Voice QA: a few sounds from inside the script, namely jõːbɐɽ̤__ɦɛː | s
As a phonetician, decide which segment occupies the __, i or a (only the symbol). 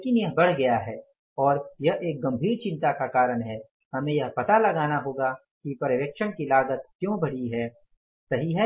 i